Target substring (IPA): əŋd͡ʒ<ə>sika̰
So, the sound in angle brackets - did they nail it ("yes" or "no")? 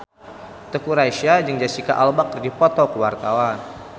no